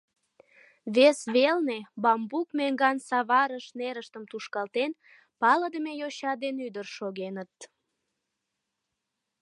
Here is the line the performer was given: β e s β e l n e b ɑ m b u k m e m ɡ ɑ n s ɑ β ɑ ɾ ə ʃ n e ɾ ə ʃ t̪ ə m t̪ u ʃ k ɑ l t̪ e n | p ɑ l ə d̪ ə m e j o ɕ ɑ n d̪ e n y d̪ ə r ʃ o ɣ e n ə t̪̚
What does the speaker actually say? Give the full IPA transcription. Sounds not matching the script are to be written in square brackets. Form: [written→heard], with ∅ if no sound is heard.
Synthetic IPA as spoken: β e s β e l n e b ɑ m b u k m e [m→ŋ] ɡ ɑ n s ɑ β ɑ ɾ ə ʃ n e ɾ ə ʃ t̪ ə m t̪ u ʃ k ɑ l t̪ e n | p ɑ l ə d̪ ə m e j o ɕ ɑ [n→∅] d̪ e n y d̪ ə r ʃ o ɣ e n ə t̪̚